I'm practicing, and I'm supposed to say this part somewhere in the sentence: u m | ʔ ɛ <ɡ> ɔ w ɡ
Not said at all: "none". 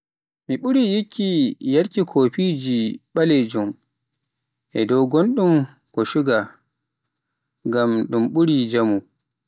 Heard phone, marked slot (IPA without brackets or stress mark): d